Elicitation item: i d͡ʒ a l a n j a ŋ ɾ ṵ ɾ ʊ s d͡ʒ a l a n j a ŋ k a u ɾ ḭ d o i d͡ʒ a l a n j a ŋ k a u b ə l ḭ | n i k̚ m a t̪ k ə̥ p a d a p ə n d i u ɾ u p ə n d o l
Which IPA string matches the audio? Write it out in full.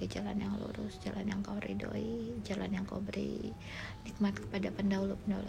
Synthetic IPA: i d͡ʒ a l a n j a ŋ l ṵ ɾ ʊ s d͡ʒ a l a n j a ŋ k a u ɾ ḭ d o i d͡ʒ a l a n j a ŋ k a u b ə ɾ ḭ | n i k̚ m a t̪ k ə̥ p a d a p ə n d a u l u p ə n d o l